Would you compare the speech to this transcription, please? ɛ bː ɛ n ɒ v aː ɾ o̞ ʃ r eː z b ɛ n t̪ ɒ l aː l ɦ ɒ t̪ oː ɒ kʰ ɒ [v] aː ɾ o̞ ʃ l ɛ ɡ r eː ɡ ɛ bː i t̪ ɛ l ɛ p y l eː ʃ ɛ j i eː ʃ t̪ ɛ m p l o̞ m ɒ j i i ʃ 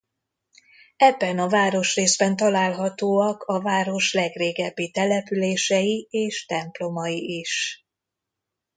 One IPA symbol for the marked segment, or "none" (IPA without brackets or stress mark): v